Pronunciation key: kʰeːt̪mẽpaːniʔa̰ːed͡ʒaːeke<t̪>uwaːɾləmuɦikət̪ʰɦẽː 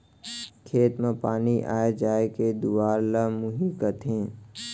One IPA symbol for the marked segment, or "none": d̪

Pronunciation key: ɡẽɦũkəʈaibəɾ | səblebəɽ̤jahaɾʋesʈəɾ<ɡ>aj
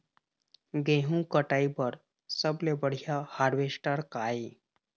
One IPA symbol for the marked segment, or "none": k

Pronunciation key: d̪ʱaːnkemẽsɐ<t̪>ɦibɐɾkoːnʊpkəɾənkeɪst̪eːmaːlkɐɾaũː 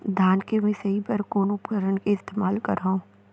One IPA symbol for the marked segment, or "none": none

